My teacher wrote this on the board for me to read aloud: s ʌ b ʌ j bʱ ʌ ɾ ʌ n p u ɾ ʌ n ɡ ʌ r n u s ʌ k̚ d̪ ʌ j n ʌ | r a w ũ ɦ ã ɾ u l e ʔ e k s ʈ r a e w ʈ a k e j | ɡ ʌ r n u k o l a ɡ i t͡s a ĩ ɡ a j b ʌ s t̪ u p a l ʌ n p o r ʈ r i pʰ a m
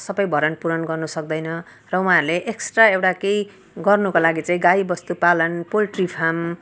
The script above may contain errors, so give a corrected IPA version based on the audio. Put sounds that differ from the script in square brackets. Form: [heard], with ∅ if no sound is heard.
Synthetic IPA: s ʌ b ʌ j bʱ ʌ ɾ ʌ n p u ɾ ʌ n ɡ ʌ r n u s ʌ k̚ d̪ ʌ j n ʌ | r [ʌ] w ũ ɦ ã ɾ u l e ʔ e k s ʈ r a e w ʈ a k e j | ɡ ʌ r n u k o l a ɡ i t͡s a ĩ ɡ a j b ʌ s t̪ u p a l ʌ n p o [l] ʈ r i pʰ a m